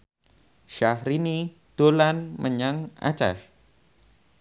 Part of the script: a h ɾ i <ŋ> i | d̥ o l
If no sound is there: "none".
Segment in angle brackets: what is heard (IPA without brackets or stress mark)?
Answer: n